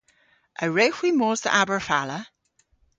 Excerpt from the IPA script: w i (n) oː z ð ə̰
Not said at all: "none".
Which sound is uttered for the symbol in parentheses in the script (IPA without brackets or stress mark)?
m